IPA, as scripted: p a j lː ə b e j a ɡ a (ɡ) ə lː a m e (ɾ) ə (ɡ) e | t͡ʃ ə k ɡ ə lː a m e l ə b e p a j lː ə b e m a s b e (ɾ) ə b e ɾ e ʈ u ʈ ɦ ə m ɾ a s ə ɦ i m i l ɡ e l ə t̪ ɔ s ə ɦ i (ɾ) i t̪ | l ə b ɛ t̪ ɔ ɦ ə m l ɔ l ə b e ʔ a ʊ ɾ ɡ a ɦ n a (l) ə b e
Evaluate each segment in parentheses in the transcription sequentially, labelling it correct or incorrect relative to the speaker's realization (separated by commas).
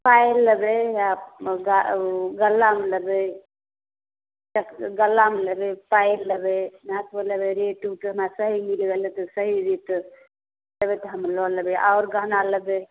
correct, incorrect, incorrect, incorrect, correct, correct